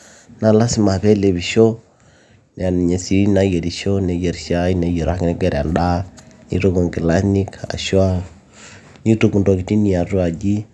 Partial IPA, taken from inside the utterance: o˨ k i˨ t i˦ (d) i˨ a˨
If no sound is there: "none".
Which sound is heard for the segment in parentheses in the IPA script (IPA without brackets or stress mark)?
n